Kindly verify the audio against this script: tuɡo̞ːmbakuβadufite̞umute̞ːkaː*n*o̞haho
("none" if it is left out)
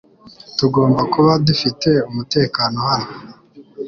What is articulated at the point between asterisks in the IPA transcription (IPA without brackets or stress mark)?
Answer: n